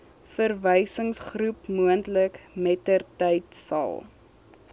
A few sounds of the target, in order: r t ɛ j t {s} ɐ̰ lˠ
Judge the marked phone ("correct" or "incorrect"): correct